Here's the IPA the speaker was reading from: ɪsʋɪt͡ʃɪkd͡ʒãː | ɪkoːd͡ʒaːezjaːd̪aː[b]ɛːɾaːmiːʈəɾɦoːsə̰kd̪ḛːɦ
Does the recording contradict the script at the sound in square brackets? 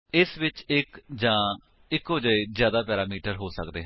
yes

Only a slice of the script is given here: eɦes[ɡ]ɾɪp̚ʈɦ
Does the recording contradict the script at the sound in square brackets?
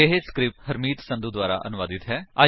yes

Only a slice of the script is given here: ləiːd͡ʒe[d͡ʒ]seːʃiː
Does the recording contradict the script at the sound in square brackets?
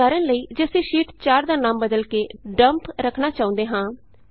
yes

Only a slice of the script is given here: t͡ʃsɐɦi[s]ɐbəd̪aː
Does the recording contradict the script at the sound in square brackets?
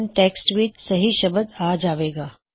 yes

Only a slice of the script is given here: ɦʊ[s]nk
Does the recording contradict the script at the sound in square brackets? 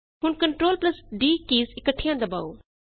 yes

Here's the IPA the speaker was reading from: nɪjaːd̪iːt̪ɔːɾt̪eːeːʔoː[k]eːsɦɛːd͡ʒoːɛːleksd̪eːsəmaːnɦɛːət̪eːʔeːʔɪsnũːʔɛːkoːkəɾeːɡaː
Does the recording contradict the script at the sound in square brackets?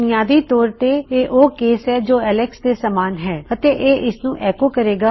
no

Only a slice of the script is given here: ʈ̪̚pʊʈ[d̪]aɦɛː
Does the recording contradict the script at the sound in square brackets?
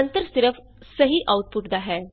no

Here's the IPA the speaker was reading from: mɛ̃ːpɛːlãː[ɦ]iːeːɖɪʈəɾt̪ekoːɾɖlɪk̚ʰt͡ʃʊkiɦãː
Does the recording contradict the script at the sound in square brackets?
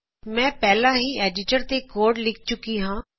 no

